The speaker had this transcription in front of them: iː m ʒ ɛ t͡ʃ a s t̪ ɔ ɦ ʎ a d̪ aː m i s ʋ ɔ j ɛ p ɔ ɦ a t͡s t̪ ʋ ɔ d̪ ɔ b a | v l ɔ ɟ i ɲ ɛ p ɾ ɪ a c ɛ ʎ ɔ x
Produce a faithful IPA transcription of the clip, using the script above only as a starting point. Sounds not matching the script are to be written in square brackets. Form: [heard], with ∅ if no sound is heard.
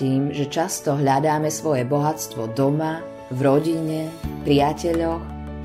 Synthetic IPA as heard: iː m ʒ ɛ t͡ʃ a s t̪ ɔ ɦ ʎ a d̪ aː m [ɛ] s ʋ ɔ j ɛ [b] ɔ ɦ a t͡s t̪ ʋ ɔ d̪ ɔ [m] a | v [ɾ] ɔ ɟ i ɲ ɛ p ɾ ɪ a c ɛ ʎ ɔ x